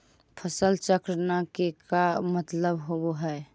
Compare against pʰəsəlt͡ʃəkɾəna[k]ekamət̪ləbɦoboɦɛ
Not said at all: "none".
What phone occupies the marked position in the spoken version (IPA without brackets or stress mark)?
k